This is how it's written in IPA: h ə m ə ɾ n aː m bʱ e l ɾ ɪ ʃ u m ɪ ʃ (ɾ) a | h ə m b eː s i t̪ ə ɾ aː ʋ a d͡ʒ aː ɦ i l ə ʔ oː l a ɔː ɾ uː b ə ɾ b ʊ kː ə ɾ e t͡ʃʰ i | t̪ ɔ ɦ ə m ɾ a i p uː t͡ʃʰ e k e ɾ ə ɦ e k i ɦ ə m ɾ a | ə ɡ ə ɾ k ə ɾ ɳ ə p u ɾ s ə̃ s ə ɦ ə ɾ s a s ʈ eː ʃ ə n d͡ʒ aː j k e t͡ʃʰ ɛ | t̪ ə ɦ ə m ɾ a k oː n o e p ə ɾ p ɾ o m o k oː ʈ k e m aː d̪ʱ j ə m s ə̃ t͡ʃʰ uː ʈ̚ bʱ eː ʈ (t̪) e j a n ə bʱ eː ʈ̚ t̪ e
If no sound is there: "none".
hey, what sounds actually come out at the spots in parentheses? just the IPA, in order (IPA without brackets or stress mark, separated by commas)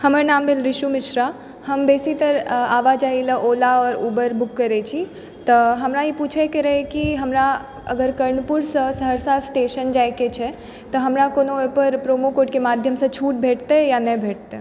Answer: ɾ, t̪